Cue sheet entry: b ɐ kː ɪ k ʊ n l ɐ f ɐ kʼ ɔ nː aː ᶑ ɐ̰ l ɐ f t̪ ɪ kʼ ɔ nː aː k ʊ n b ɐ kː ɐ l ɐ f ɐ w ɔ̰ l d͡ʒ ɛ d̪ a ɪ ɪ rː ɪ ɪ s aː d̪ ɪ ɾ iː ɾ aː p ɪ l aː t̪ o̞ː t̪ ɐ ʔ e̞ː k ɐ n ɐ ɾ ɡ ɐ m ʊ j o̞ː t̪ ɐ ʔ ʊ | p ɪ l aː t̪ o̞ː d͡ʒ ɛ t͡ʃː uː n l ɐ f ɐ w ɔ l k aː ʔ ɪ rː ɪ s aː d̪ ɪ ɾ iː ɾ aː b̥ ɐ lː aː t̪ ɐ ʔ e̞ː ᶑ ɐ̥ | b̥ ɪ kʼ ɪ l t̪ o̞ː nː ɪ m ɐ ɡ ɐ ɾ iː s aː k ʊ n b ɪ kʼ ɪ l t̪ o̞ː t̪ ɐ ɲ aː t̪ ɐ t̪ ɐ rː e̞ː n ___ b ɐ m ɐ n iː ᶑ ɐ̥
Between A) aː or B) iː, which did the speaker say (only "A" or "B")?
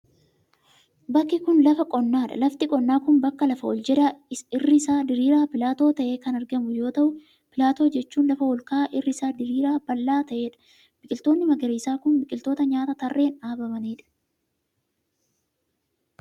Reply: A